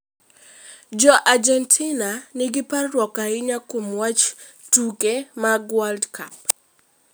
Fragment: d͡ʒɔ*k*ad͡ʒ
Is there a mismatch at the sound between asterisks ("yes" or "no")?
yes